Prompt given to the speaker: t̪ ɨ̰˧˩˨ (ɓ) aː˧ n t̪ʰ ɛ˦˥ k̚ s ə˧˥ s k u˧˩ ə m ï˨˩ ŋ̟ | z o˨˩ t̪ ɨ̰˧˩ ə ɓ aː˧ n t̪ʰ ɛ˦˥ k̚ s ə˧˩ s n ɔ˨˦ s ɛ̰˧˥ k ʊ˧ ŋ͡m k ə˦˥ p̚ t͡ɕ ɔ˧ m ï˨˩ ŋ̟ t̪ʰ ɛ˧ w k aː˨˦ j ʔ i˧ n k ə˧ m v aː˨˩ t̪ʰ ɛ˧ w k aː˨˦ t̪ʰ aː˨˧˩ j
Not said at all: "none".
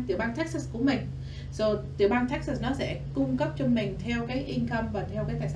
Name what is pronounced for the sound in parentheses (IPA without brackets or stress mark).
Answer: ɓ